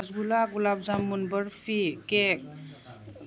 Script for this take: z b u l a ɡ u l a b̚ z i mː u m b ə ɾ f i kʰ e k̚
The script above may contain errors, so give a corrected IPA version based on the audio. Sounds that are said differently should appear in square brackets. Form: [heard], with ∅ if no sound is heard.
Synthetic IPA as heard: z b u l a ɡ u l a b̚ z [a] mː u [n] b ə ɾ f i [k] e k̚